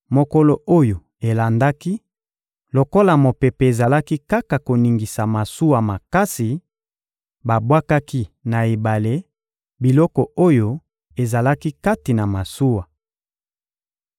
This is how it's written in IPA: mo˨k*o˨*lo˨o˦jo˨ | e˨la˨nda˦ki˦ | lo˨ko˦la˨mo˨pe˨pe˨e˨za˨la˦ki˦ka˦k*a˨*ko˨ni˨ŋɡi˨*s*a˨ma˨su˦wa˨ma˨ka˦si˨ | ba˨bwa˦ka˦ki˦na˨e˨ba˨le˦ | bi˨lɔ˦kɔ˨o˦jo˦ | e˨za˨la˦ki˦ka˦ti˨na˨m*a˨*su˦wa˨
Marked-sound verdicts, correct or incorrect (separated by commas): incorrect, correct, correct, correct